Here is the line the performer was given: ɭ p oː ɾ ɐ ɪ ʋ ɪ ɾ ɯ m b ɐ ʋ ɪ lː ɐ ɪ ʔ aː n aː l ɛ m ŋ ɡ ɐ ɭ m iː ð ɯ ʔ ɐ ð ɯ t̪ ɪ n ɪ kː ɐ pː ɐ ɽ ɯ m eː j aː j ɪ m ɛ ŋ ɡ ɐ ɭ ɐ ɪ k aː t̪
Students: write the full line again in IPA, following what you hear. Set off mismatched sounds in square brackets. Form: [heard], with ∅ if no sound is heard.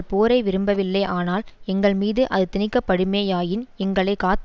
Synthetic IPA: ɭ p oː ɾ ɐ ɪ ʋ ɪ ɾ ɯ m b ɐ ʋ ɪ lː ɐ ɪ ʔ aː n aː l ɛ [∅] ŋ ɡ ɐ ɭ m iː ð ɯ ʔ ɐ ð ɯ t̪ ɪ n ɪ kː ɐ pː ɐ ɽ ɯ m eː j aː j ɪ [n] ɛ ŋ ɡ ɐ ɭ ɐ ɪ k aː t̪